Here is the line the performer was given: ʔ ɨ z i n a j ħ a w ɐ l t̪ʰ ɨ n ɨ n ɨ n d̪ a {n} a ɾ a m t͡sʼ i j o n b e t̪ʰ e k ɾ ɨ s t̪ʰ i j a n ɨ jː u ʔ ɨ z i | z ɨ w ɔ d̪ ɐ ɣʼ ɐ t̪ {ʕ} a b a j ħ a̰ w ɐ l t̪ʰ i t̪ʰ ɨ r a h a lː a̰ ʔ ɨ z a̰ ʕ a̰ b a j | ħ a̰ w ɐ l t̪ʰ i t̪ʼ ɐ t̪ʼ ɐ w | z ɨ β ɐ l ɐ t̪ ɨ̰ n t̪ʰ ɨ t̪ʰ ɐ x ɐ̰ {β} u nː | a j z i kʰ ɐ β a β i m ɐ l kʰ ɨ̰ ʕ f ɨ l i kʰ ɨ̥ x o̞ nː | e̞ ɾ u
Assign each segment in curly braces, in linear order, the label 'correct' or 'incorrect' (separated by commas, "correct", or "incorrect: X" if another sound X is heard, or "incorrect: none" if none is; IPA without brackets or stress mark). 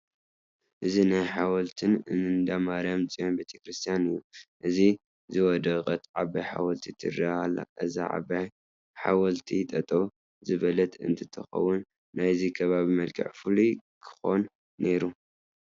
incorrect: m, correct, incorrect: w